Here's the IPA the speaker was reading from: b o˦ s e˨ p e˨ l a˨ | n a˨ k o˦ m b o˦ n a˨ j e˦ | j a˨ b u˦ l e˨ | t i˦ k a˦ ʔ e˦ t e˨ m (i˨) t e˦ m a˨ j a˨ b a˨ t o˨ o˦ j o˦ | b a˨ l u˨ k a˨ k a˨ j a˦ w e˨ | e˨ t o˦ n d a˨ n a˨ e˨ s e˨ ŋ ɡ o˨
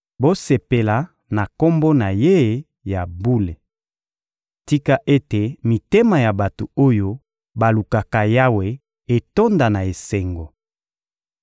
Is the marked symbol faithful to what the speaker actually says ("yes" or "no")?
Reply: yes